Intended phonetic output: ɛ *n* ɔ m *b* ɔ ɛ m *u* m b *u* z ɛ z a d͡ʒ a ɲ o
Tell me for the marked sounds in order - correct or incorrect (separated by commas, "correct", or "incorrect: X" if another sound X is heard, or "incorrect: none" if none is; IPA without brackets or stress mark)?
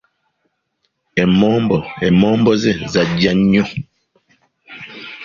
incorrect: m, correct, incorrect: ɔ, incorrect: ɔ